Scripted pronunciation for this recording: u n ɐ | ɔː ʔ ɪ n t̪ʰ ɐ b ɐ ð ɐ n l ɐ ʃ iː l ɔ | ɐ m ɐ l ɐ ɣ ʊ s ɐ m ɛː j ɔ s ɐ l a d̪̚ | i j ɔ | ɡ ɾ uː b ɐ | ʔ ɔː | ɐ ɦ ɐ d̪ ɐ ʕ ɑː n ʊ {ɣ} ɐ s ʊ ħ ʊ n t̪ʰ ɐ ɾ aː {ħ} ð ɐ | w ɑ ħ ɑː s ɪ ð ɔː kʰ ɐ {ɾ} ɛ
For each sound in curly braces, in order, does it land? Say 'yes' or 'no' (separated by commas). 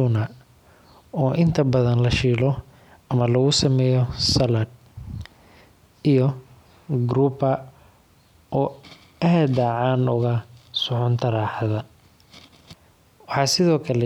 yes, yes, no